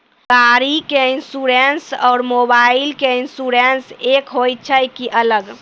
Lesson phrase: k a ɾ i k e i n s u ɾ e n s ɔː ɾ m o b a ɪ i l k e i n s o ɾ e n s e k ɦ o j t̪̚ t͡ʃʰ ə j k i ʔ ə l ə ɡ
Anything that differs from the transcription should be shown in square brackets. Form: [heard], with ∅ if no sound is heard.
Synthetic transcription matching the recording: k a ɾ i k e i n s u ɾ e n s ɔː ɾ m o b a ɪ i l k e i n s [u] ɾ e n s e k ɦ o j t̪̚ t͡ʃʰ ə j k i ʔ ə l ə ɡ